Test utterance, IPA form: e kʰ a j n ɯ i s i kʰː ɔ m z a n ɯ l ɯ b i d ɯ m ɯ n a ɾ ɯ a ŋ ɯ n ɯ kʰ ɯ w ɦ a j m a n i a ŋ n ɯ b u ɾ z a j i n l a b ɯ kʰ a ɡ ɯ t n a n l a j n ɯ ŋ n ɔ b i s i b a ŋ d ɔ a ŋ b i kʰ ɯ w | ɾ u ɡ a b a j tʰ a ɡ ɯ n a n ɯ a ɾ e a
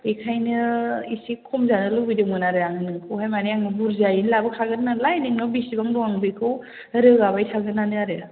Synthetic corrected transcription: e kʰ a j n ɯ i s i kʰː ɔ m z a n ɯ l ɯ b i d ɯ m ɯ n a ɾ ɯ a ŋ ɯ n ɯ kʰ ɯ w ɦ a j m a n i a ŋ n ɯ b u ɾ z a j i n l a b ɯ kʰ a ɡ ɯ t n a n l a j n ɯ ŋ n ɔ b i s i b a ŋ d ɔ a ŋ b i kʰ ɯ w | ɾ ɯ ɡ a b a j tʰ a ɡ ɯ n a n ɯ a ɾ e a